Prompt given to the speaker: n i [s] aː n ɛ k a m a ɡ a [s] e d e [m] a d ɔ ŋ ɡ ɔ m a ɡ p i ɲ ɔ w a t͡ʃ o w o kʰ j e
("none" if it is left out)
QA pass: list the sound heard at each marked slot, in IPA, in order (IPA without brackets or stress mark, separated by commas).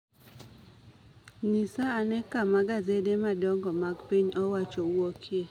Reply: s, z, m